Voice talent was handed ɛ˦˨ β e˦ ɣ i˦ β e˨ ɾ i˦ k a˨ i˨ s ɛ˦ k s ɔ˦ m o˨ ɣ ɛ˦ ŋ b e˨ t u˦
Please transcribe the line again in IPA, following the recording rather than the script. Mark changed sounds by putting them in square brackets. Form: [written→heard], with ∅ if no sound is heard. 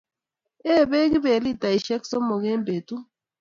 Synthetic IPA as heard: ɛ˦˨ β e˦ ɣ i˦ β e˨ [ɾ→l] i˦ [k→t] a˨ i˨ [s→ʃ] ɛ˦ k s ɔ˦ m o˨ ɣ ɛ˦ [ŋ→m] b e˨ t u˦